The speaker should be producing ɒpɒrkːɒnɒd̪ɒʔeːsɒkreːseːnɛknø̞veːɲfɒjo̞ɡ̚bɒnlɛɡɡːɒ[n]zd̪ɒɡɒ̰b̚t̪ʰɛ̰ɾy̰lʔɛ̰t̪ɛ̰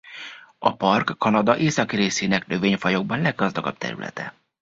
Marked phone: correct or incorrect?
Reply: incorrect: none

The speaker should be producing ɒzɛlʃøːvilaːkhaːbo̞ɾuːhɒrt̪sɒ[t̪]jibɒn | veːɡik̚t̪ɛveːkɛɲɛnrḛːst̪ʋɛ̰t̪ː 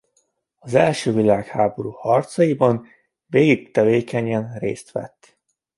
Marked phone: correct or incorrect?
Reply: incorrect: none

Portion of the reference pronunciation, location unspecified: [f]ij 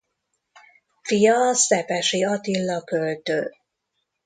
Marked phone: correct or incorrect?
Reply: correct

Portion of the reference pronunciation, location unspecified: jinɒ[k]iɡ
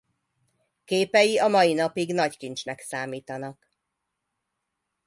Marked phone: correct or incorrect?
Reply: incorrect: p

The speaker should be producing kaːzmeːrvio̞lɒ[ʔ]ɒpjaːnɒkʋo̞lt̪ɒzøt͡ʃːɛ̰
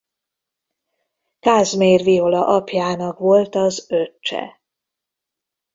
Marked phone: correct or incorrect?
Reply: correct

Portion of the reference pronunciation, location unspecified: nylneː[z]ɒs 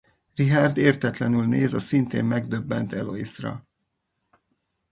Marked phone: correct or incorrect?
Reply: correct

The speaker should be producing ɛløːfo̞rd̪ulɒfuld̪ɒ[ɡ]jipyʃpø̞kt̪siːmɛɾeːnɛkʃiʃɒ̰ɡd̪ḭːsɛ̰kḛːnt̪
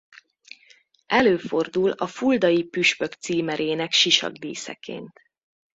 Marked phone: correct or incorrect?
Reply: incorrect: none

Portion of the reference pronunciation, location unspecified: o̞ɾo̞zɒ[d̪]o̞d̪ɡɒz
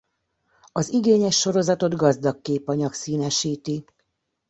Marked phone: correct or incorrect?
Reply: incorrect: t̪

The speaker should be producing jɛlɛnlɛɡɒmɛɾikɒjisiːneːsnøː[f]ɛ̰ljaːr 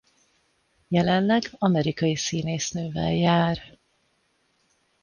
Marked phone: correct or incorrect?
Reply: incorrect: v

